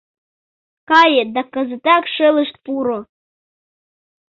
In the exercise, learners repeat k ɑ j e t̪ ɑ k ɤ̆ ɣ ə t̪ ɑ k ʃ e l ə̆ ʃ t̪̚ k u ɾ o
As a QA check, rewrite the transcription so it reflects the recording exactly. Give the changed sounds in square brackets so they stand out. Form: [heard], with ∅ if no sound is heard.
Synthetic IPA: k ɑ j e [d̪] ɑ k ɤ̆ [z] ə t̪ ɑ k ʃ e l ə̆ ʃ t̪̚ [p] u ɾ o